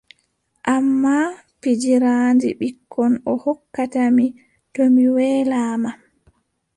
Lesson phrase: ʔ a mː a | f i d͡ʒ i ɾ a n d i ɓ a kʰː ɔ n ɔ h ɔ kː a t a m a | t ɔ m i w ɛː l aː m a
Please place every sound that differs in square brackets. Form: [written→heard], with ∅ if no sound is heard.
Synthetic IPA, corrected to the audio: ʔ a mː a | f i d͡ʒ i ɾ a n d i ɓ [a→i] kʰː ɔ n ɔ h ɔ kː a t a m [a→i] | t ɔ m i w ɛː l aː m a